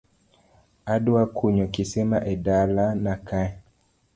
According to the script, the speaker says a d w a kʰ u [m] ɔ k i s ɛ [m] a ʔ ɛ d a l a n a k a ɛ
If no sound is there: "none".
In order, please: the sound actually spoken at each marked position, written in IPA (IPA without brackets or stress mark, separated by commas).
ɲ, m